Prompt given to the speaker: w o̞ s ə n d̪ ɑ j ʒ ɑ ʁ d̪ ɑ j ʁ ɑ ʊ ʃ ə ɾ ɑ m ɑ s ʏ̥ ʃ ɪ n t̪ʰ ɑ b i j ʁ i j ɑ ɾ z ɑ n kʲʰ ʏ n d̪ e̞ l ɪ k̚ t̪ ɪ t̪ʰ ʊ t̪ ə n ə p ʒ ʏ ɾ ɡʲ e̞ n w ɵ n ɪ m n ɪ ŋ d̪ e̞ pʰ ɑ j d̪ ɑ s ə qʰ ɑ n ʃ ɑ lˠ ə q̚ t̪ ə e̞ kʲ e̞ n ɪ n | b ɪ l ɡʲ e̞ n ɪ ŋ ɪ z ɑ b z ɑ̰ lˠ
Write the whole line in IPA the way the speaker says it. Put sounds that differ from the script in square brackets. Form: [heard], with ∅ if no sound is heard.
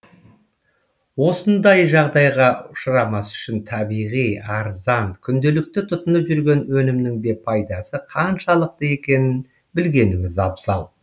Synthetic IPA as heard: w o̞ s ə n d̪ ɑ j ʒ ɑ ʁ d̪ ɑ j ʁ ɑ ʊ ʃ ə ɾ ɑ m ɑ s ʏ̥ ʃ ɪ n t̪ʰ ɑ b i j ʁ i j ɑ ɾ z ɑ n kʲʰ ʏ n d̪ e̞ l ɪ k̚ t̪ ɪ t̪ʰ ʊ t̪ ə n ə p ʒ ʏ ɾ ɡʲ e̞ n w ɵ n ɪ m n ɪ ŋ d̪ e̞ pʰ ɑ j d̪ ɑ s ə qʰ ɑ n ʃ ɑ lˠ ə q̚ t̪ ə e̞ kʲ e̞ n ɪ n | b ɪ l ɡʲ e̞ n ɪ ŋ ɪ z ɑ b z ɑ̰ lˠ